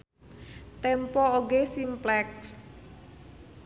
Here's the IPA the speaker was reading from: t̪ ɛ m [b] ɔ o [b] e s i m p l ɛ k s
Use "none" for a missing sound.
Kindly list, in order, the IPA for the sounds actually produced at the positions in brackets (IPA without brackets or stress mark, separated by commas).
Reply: p, ɡ